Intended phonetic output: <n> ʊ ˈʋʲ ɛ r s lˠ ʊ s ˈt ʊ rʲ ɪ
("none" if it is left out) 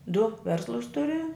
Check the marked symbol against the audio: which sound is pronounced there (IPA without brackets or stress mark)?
d